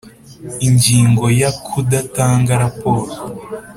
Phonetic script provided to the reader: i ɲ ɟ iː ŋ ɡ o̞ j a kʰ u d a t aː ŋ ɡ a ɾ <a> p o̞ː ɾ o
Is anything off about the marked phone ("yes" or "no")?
no